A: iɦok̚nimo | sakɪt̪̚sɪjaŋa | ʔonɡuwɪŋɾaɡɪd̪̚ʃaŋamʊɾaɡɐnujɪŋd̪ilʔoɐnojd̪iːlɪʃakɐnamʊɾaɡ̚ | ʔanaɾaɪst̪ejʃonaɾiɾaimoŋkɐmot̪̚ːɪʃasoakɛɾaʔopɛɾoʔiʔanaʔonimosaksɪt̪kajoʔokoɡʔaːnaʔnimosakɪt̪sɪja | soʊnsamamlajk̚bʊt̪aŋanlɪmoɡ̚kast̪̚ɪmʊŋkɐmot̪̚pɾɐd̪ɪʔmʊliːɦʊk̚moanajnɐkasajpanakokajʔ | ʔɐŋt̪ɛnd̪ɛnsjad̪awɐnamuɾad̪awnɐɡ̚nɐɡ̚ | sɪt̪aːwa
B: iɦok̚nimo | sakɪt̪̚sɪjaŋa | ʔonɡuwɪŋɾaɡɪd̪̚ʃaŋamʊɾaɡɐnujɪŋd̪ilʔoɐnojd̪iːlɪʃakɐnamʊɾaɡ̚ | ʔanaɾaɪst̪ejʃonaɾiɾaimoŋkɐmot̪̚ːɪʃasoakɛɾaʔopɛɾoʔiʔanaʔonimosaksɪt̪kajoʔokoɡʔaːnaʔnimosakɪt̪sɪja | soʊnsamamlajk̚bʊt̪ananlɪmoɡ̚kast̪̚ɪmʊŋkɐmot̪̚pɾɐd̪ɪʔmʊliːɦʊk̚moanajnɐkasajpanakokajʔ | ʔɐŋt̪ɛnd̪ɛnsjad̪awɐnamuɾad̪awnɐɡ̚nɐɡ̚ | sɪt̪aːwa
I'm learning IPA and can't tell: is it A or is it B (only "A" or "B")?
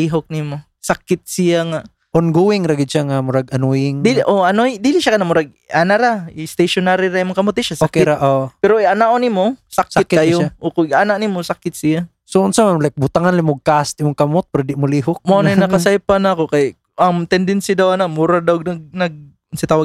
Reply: A